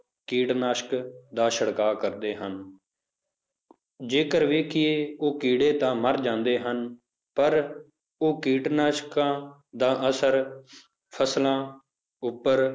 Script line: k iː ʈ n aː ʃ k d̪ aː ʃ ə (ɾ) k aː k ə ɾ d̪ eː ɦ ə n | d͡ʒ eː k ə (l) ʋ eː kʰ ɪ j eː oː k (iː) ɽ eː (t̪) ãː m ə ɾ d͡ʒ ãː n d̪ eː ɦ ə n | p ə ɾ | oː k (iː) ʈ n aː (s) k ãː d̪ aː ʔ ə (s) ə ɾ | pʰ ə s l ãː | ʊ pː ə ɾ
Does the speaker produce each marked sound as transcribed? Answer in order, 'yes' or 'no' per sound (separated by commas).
no, no, yes, yes, yes, no, yes